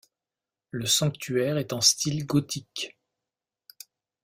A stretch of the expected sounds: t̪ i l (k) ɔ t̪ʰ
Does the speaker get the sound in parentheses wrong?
yes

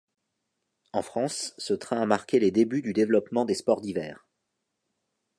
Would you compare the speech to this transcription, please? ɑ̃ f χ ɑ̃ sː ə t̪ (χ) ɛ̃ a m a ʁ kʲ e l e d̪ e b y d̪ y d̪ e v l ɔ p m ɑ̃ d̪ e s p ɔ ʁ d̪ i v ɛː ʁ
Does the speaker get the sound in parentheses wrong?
no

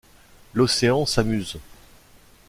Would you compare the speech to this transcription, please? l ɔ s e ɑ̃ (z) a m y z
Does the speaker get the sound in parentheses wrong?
yes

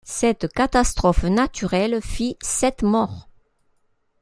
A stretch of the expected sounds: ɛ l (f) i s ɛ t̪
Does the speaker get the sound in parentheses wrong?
no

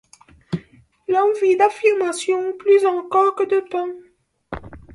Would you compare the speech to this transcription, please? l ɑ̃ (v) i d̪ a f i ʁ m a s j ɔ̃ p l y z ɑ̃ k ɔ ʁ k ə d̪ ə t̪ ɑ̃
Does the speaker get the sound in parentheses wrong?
no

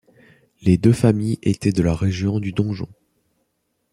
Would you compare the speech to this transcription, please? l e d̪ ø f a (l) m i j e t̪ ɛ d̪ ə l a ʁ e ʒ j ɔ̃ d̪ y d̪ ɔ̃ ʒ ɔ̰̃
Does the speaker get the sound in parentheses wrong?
yes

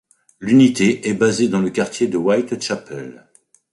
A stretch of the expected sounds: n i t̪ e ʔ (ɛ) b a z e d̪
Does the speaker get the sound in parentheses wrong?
no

